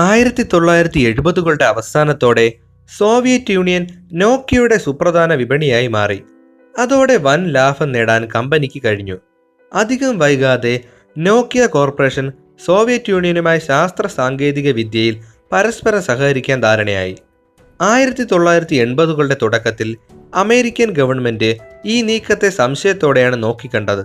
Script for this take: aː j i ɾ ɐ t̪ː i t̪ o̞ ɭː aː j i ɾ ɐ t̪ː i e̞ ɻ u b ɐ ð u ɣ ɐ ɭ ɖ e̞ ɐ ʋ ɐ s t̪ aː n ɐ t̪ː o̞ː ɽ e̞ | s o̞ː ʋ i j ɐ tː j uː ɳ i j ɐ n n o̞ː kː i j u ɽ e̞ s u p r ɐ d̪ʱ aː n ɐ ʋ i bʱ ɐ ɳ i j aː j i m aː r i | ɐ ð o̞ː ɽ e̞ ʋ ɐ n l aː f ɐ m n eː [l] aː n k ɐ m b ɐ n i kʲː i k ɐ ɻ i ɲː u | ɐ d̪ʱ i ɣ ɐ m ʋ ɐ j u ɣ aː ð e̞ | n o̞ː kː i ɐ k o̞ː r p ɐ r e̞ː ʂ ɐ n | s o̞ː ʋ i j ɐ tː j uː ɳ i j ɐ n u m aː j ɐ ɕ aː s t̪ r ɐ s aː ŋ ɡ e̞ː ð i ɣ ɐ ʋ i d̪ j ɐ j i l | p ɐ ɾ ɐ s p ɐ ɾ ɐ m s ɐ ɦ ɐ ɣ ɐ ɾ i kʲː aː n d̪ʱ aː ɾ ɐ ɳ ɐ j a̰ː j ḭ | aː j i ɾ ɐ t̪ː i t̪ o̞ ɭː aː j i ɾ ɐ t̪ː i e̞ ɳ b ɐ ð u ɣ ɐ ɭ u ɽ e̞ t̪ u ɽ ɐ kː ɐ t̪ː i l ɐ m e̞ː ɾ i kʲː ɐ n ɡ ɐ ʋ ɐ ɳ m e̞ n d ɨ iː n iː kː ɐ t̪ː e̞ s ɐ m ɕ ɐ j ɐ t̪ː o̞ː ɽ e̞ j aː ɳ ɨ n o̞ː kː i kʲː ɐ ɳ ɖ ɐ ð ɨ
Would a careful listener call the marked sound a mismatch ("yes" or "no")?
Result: yes